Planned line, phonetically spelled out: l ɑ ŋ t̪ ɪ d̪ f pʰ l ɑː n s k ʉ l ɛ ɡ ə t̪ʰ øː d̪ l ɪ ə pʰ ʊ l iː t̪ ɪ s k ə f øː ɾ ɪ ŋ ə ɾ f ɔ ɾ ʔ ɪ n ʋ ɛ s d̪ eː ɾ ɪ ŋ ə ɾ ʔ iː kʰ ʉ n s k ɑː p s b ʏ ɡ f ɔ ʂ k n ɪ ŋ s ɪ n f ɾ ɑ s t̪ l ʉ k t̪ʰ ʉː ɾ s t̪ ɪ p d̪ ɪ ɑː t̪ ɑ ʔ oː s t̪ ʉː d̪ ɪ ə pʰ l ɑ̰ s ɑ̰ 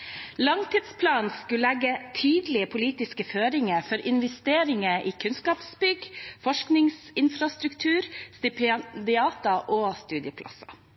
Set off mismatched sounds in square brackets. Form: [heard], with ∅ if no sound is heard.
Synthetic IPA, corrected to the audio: l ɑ ŋ t̪ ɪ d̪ [s] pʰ l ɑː n s k ʉ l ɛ ɡ ə t̪ʰ [yː] d̪ l ɪ ə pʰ ʊ l iː t̪ ɪ s k ə f øː ɾ ɪ ŋ ə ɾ f ɔ ɾ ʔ ɪ n ʋ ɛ s [t̪] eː ɾ ɪ ŋ ə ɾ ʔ iː kʰ ʉ n s k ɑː p s b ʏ ɡ f ɔ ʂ k n ɪ ŋ s ɪ n f ɾ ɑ s t̪ [ɾ] ʉ k t̪ʰ ʉː ɾ s t̪ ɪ p d̪ ɪ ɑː t̪ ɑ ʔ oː s t̪ ʉː d̪ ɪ ə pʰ l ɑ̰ s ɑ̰